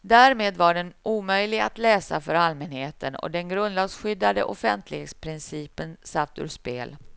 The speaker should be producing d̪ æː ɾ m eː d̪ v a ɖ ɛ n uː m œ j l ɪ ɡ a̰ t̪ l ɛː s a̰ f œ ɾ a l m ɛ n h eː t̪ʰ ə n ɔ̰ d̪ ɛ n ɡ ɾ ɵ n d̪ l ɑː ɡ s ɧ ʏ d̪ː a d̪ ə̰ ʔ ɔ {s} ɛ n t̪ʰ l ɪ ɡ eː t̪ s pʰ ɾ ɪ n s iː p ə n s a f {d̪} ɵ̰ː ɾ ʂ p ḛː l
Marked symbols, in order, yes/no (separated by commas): no, no